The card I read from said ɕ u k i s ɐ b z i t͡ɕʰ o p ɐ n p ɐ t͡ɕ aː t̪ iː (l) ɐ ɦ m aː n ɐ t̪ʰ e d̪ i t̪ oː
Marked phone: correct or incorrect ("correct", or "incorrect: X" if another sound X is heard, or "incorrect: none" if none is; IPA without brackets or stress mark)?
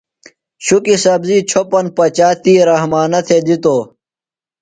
incorrect: ɾ